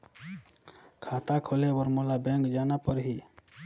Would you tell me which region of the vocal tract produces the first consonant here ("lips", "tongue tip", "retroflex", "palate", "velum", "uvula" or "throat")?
velum